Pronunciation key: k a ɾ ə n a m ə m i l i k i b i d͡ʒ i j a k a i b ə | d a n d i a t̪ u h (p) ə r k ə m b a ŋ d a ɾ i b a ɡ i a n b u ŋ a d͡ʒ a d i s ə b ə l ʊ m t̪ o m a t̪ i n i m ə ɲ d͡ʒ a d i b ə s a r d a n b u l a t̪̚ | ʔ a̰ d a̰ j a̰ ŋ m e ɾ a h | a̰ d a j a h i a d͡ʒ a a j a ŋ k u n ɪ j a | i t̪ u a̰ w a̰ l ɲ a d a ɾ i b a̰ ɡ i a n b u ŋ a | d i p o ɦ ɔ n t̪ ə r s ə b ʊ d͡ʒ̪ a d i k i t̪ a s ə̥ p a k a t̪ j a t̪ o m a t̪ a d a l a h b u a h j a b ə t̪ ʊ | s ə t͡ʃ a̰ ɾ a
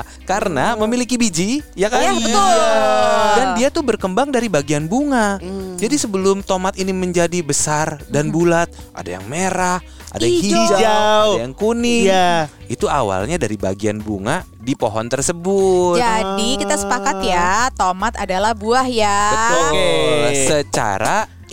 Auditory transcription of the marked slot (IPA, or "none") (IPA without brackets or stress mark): b